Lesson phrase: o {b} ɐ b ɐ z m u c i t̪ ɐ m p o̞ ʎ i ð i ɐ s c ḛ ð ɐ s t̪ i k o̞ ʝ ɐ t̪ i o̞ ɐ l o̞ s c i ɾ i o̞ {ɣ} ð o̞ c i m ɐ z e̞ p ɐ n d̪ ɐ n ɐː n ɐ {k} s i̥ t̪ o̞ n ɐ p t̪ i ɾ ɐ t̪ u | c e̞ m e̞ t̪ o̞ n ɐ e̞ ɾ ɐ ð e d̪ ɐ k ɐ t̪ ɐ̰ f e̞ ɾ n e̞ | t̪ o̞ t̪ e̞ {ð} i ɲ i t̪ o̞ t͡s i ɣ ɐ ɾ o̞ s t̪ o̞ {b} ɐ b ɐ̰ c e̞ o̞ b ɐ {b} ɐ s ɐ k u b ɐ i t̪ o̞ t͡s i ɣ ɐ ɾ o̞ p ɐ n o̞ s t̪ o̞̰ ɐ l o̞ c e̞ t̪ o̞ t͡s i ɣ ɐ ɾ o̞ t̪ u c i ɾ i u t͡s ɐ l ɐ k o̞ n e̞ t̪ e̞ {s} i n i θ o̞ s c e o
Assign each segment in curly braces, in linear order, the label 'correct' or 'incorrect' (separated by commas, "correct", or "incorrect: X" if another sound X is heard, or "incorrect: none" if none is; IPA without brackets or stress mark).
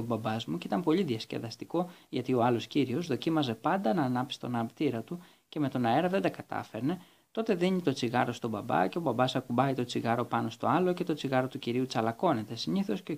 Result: correct, incorrect: z, incorrect: p, correct, correct, correct, correct